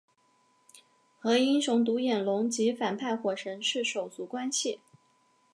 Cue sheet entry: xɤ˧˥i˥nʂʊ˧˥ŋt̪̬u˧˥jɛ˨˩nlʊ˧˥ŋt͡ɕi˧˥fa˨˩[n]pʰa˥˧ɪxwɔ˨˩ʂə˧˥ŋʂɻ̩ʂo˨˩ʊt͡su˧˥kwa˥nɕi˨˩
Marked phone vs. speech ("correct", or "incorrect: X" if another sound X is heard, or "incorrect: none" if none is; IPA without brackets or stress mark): correct